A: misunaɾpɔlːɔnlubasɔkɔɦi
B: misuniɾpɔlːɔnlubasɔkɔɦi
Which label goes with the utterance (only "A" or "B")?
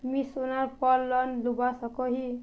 A